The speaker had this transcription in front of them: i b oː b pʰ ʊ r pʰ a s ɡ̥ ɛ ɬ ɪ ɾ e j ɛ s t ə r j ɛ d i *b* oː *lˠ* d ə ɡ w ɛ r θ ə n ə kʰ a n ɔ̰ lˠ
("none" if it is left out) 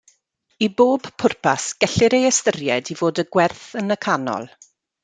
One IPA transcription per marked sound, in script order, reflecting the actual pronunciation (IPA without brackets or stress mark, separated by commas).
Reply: v, none